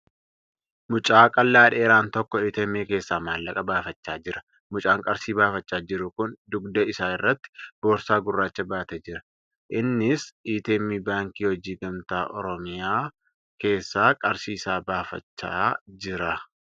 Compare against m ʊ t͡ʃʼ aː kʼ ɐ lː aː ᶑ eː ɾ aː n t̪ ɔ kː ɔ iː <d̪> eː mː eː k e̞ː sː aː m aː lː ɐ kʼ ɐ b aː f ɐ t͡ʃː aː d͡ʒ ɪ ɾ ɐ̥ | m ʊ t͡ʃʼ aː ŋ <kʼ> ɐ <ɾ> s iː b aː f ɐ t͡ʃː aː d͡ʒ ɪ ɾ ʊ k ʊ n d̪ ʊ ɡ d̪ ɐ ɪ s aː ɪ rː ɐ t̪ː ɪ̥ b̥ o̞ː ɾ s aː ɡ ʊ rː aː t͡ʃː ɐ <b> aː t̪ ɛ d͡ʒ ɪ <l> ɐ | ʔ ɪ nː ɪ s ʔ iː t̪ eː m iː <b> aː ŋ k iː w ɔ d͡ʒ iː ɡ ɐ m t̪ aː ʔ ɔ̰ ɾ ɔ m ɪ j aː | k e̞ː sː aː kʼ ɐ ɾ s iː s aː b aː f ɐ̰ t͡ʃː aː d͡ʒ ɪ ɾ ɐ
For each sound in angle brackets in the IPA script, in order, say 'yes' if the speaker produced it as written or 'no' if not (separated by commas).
no, yes, yes, yes, no, yes